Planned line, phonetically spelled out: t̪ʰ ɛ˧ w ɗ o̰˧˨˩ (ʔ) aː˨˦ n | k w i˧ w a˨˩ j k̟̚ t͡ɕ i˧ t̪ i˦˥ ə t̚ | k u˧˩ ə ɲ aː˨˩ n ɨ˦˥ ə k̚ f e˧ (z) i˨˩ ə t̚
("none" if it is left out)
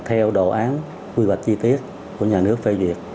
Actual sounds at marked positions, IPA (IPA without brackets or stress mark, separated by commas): ʔ, v